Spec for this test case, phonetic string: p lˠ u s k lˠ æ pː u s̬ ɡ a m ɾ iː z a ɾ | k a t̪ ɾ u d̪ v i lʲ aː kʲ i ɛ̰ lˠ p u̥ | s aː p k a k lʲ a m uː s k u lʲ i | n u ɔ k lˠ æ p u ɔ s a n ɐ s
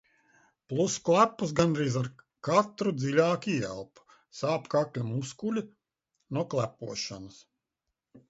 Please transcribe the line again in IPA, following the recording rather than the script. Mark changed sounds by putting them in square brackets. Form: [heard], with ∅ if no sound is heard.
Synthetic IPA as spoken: p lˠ u s k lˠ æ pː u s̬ ɡ a [n] ɾ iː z a ɾ | k a t̪ ɾ u d̪ [z] i lʲ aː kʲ i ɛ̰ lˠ p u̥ | s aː p k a k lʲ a m [u] s k u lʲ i | n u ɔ k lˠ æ p u ɔ [ʃ] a n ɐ s